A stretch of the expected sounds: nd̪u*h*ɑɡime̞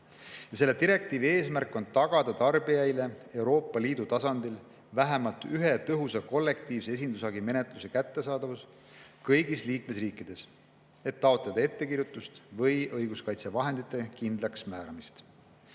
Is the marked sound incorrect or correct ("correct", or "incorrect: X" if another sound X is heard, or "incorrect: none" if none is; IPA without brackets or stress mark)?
incorrect: s